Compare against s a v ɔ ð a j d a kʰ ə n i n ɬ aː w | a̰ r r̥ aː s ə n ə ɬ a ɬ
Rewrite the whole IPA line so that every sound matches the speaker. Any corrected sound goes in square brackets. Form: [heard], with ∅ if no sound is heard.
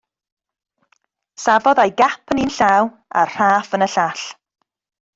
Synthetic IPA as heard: s a v ɔ ð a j [ɡ] a [pʰ] ə n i n ɬ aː w | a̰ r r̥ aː [f] ə n ə ɬ a ɬ